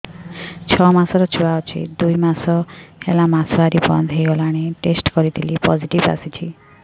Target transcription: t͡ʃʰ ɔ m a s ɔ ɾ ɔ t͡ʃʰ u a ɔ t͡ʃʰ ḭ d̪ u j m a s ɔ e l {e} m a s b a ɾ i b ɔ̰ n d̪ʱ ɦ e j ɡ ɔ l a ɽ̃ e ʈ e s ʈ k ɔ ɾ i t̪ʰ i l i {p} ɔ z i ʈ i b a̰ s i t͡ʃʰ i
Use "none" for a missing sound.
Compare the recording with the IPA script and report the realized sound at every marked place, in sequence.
a, p

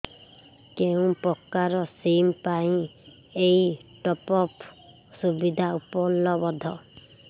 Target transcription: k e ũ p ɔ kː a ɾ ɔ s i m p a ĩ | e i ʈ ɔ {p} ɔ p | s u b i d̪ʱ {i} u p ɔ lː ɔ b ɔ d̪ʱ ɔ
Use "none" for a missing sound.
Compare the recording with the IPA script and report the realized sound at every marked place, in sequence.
p, a

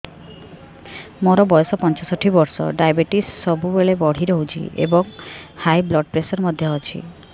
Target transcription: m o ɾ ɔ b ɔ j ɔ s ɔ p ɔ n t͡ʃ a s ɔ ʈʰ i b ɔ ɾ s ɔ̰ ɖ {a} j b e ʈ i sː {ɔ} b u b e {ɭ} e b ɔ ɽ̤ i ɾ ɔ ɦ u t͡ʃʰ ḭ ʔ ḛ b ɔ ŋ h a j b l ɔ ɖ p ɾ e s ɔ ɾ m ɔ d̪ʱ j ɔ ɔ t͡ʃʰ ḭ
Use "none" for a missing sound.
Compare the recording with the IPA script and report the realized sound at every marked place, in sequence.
a, ɔ, ɭ

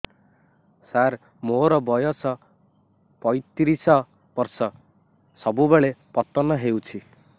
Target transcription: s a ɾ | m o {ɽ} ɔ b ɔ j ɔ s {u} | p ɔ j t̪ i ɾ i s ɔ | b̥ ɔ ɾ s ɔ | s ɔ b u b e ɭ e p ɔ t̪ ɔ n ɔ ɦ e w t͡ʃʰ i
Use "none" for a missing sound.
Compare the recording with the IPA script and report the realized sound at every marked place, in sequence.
ɾ, ɔ

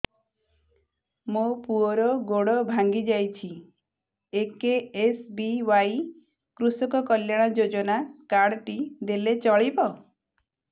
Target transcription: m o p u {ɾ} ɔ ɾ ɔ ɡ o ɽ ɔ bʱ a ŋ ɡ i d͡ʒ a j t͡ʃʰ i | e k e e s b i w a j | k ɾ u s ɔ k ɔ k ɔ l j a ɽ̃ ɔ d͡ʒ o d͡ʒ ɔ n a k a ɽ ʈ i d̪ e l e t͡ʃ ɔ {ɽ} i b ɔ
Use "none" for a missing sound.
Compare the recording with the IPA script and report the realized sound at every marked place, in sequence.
none, ɭ

